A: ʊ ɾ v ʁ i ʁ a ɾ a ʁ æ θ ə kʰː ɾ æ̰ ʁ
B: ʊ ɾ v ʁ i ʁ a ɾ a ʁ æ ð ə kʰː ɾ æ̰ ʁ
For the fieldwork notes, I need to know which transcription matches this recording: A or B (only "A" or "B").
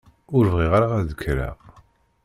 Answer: B